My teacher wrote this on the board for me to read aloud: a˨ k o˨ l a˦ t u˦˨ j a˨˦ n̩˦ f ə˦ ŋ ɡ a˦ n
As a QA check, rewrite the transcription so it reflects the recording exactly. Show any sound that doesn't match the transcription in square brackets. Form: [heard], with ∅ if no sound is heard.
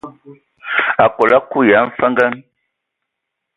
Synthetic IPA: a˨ k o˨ l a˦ [k] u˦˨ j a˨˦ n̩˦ f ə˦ ŋ ɡ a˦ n